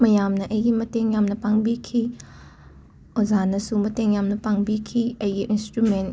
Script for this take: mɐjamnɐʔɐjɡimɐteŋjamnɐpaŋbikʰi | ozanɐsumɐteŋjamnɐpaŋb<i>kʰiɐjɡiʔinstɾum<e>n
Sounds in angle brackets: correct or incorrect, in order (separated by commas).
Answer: correct, correct